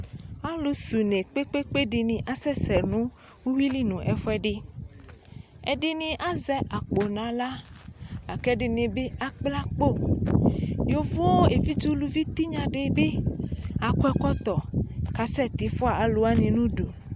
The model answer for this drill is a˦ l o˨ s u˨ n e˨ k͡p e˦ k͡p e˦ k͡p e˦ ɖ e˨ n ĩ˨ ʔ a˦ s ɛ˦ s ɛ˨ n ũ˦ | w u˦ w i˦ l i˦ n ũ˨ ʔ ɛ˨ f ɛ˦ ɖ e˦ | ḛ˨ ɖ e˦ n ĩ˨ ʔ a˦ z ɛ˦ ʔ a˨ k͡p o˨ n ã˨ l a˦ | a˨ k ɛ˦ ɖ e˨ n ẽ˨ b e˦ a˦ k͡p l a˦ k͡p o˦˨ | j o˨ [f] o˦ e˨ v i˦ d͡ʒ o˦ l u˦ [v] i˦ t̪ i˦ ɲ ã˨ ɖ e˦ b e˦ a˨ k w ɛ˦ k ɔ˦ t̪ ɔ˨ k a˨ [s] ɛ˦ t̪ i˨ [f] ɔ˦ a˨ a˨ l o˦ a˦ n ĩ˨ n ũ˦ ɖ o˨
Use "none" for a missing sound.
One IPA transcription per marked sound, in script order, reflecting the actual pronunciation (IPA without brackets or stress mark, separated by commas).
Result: v, v, s, f